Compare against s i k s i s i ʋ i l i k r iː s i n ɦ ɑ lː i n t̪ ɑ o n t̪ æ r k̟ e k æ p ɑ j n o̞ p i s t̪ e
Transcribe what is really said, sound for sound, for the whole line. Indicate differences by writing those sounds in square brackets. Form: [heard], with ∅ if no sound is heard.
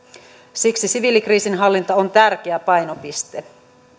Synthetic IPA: s i k s i s i ʋ i l i k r iː s i n ɦ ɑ lː i n t̪ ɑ o n t̪ æ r k̟ e [∅] æ p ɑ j n o̞ p i s t̪ e

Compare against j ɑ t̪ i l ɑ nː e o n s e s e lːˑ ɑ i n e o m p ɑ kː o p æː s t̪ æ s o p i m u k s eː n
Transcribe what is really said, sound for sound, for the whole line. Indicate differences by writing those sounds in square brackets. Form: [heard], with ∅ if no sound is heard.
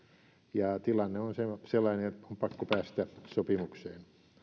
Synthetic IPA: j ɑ t̪ i l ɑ nː e o n s e s e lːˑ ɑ i n e o m p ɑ kː o p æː s t̪ æ s o p i m u k s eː n

